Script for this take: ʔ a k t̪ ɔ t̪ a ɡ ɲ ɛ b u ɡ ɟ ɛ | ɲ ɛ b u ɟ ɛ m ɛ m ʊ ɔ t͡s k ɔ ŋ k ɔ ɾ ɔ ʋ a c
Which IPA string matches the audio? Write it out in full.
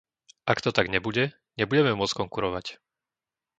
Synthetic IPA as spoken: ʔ a k t̪ ɔ t̪ a ɡ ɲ ɛ b u ɟ ɛ | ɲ ɛ b u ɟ ɛ m ɛ m ʊ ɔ t͡s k ɔ ŋ k u ɾ ɔ ʋ a c